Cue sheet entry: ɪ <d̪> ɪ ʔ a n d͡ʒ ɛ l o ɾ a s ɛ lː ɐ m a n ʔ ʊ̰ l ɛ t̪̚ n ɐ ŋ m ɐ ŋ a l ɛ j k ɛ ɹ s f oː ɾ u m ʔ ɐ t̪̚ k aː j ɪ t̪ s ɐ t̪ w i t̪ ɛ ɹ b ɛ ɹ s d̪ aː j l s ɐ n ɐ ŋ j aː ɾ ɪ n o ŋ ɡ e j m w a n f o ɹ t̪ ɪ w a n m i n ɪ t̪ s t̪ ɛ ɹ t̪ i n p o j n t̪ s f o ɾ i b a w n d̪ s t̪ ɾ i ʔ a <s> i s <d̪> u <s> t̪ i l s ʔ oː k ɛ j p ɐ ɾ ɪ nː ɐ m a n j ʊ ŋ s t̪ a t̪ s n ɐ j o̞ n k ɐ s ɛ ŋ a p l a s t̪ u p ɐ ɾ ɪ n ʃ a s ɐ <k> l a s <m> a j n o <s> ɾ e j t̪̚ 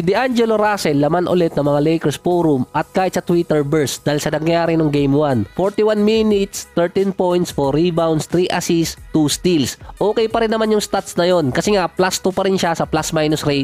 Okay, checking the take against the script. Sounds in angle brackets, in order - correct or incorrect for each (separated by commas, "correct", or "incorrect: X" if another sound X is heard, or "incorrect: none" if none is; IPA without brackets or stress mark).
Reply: correct, correct, incorrect: t̪, correct, incorrect: p, correct, correct